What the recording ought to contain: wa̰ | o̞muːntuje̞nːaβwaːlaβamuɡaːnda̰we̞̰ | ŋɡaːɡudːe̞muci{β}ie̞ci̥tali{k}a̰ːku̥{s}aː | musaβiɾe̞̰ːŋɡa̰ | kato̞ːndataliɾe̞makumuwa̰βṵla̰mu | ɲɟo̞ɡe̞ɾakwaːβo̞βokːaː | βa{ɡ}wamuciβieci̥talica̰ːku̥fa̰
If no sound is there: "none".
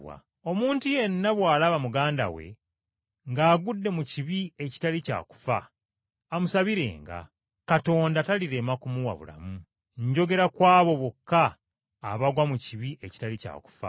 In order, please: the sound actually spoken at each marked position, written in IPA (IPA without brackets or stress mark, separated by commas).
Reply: β, c, f, ɡ